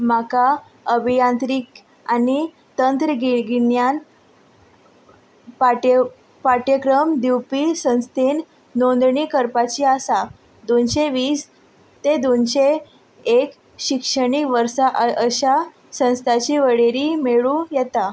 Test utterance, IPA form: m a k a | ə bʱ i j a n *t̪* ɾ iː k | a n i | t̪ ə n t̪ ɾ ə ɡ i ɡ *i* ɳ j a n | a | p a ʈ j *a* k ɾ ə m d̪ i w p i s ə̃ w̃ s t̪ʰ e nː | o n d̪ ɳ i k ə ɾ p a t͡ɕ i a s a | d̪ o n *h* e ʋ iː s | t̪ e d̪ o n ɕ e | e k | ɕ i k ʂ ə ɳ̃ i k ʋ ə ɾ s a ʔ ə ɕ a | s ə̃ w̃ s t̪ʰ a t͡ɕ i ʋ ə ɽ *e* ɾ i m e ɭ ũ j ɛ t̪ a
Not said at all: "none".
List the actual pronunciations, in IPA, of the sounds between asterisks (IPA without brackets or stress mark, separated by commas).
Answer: t̪, i, ə, ɕ, e